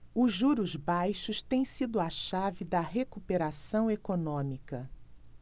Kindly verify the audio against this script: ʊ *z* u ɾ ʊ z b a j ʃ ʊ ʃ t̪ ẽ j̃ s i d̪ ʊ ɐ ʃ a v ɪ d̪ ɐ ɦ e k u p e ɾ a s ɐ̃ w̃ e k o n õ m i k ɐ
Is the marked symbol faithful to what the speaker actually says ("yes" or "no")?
no